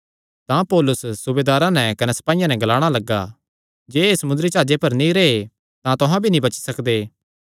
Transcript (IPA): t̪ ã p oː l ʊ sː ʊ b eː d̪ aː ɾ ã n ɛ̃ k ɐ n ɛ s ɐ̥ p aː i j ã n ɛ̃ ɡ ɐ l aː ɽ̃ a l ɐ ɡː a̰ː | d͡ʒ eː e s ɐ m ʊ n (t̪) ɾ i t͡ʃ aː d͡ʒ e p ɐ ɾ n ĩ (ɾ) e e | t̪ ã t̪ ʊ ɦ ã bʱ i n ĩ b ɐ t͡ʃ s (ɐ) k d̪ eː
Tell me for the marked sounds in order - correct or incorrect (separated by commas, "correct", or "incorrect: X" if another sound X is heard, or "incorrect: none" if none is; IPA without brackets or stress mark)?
incorrect: d̪, correct, correct